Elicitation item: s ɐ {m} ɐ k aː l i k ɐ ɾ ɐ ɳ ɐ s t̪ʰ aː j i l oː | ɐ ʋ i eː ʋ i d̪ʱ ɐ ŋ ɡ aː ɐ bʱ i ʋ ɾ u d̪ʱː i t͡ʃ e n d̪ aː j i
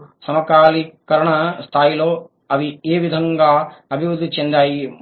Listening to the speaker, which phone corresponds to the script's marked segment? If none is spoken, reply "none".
m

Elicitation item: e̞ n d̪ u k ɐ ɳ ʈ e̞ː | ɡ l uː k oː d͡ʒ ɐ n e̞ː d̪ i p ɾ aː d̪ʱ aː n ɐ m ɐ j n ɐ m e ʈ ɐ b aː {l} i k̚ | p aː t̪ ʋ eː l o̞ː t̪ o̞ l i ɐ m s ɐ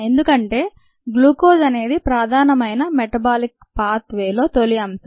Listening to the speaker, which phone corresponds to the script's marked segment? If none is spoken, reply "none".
l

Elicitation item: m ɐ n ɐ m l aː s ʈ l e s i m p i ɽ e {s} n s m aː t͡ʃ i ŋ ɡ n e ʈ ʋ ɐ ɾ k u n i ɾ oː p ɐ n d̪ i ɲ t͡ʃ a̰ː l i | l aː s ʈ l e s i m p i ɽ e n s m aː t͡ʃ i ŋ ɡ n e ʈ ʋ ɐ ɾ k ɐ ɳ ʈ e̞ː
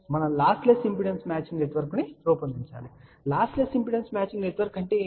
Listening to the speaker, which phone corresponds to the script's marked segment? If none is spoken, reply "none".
none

